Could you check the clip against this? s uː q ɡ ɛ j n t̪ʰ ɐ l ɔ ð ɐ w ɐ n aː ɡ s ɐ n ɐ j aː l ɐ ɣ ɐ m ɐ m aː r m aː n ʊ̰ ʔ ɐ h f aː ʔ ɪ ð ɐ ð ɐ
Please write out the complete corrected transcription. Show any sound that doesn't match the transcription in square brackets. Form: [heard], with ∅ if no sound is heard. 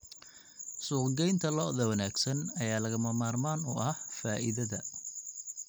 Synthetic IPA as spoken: s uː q ɡ ɛ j n t̪ʰ ɐ l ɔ ð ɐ w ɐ n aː ɡ s ɐ n ɐ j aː l ɐ ɣ ɐ m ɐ m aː r m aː n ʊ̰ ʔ ɐ h f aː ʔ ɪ ð ɐ ð ɐ